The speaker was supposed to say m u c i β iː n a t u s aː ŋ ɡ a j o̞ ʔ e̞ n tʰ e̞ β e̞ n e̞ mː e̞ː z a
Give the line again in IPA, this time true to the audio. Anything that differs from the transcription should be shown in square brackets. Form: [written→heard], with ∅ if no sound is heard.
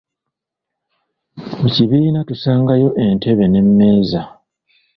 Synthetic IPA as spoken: m u c i β iː n a t u s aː ŋ ɡ a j o̞ ʔ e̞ n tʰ e̞ β e̞ n e̞ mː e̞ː z a